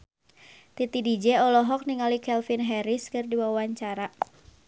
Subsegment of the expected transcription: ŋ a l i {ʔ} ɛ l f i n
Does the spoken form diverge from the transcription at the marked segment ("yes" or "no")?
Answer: yes